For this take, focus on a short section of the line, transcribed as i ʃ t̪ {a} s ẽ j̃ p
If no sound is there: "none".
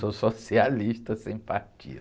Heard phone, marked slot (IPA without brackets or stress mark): ɐ